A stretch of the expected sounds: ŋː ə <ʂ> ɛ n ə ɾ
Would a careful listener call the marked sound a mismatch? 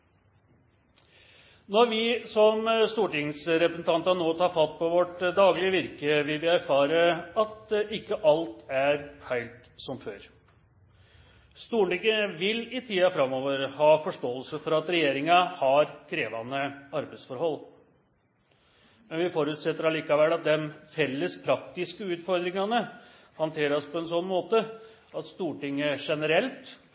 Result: no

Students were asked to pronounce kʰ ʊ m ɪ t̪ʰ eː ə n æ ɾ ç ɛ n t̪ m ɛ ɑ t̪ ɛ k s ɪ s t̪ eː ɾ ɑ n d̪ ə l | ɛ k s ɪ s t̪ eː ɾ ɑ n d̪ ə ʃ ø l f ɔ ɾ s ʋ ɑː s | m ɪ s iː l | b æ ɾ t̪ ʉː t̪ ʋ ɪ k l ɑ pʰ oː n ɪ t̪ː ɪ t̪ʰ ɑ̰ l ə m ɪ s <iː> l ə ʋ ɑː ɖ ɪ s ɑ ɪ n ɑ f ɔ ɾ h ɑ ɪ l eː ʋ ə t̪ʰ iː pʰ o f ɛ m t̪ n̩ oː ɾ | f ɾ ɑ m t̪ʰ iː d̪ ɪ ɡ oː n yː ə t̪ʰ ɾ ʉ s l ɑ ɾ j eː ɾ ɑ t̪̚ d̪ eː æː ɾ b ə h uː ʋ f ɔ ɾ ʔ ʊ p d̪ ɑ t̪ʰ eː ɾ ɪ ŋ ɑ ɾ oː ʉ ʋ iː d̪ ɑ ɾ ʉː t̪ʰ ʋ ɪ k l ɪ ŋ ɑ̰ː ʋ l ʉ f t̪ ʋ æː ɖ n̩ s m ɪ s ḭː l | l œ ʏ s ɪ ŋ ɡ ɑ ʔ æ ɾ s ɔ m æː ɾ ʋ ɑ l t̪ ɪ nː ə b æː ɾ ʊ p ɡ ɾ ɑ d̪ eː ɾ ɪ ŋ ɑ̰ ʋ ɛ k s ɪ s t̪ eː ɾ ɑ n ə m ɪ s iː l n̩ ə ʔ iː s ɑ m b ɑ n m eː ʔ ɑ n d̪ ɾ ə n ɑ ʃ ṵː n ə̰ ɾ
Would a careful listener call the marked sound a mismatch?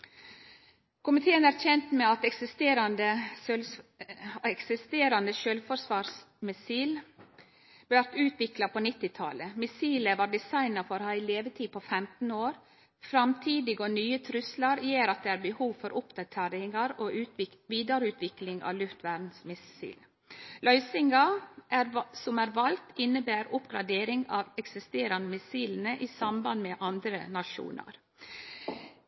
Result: no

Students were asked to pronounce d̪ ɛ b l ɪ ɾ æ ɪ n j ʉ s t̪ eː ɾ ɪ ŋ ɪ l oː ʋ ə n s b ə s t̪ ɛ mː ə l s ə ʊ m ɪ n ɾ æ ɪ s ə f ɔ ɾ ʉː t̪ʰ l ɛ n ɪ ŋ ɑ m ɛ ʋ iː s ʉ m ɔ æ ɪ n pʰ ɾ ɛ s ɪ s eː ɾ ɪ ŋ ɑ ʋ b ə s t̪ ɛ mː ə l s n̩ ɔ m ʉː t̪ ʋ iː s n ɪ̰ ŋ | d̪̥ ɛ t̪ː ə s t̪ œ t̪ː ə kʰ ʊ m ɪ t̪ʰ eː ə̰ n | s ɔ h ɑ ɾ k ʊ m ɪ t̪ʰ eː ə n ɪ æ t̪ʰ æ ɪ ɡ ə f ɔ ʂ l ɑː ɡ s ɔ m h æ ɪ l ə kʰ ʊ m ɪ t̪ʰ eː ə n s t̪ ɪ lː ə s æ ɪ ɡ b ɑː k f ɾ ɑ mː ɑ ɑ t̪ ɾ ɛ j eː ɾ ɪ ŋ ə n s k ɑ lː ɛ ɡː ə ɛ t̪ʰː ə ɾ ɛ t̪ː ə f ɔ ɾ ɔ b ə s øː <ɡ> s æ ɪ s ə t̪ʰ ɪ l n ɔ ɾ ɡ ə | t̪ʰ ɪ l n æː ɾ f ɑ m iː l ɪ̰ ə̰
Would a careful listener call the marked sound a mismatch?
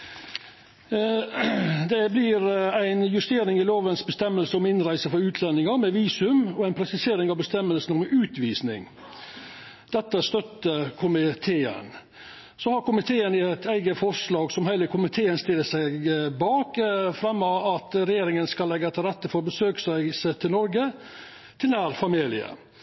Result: yes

